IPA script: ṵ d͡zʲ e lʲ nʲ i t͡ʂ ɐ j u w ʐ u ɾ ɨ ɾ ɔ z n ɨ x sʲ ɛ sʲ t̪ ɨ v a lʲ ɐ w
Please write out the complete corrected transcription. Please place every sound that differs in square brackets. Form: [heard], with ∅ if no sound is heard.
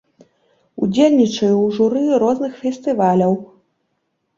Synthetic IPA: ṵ d͡zʲ e lʲ nʲ i t͡ʂ ɐ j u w ʐ u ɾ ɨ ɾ ɔ z n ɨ x [fʲ] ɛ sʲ t̪ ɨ v a lʲ ɐ w